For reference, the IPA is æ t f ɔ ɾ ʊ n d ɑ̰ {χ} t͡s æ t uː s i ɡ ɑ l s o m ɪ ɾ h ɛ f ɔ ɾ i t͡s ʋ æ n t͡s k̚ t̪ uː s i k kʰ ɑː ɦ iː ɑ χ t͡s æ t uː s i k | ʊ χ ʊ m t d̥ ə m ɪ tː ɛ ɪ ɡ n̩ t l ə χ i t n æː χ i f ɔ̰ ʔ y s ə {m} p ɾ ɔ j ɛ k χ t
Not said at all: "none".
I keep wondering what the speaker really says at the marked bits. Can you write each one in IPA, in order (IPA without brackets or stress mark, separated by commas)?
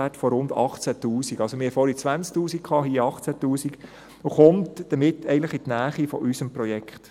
χ, m